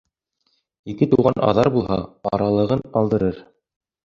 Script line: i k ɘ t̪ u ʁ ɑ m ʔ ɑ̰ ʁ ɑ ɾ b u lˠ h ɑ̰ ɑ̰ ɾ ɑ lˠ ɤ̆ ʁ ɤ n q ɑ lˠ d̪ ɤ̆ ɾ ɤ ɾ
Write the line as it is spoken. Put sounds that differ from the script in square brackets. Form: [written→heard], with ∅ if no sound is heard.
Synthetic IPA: i k ɘ t̪ u ʁ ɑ [m→n] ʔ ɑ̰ [ʁ→ð] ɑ ɾ b u lˠ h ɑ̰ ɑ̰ ɾ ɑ lˠ ɤ̆ ʁ ɤ n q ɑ lˠ d̪ ɤ̆ ɾ ɤ ɾ